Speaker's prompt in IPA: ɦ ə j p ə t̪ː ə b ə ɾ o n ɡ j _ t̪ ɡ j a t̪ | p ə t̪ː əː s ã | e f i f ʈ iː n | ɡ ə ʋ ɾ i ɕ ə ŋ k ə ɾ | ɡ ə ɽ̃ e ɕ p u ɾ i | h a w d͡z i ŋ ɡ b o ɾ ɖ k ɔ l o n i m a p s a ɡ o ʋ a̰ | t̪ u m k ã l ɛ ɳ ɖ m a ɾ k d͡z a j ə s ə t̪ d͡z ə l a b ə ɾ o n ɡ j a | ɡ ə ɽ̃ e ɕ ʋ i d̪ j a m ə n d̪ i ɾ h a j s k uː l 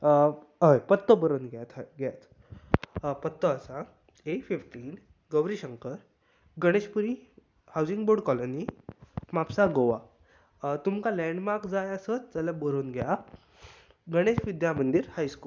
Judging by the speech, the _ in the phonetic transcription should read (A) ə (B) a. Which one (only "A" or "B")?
B